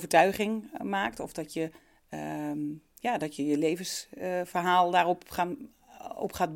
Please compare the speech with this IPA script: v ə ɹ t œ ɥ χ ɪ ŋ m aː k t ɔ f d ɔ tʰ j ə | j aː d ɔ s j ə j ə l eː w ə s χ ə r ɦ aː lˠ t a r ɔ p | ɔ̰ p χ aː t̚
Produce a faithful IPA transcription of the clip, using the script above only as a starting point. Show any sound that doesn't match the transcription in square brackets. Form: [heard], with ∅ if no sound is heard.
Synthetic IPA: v ə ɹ t œ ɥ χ ɪ ŋ m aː k t ɔ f d ɔ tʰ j ə | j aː d ɔ [t] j ə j ə l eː [v] ə s [f] ə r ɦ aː lˠ [d] a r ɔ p | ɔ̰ p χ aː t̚